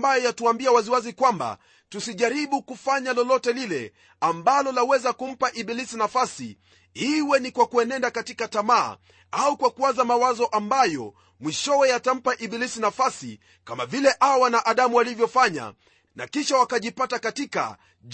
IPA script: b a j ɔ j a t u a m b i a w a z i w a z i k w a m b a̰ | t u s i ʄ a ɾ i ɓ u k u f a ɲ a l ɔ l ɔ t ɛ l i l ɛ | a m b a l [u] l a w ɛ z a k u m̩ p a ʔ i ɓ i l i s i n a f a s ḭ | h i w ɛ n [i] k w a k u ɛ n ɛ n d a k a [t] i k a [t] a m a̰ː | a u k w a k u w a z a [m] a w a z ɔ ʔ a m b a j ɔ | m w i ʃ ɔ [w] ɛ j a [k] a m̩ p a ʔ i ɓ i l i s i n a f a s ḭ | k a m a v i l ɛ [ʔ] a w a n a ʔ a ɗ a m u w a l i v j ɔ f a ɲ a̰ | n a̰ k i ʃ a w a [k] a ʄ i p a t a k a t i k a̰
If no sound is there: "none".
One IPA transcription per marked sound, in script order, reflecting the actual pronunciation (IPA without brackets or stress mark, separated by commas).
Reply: ɔ, i, t, t, m, w, t, ʔ, k